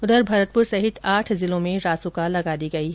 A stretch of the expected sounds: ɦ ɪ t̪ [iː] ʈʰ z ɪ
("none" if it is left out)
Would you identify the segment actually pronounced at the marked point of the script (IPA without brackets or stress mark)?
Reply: aː